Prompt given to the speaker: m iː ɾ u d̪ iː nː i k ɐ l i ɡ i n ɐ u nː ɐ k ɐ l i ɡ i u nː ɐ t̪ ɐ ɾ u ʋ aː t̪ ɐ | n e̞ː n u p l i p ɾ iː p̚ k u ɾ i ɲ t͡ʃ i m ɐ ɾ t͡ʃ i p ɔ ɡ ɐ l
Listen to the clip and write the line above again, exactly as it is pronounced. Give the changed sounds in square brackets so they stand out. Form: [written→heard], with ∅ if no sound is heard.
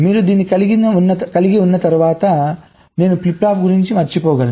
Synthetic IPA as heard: m iː ɾ u d̪ iː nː i k ɐ l i ɡ i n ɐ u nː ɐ k ɐ l i ɡ i u nː ɐ t̪ ɐ ɾ u ʋ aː t̪ ɐ | n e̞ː n u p l i p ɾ [iː→aː] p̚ [k→ɡ] u ɾ i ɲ t͡ʃ i m ɐ ɾ t͡ʃ i p [ɔ→ɔː] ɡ ɐ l